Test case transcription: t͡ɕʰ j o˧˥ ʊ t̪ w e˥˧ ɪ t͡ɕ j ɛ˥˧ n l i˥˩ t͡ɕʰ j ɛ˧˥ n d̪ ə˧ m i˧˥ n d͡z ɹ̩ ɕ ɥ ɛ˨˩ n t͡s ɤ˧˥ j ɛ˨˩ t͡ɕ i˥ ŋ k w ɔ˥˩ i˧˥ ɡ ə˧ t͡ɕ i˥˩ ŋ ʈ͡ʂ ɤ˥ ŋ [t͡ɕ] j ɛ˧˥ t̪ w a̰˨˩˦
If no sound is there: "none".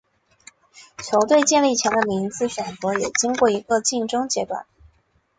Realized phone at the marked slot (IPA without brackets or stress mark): t͡ɕ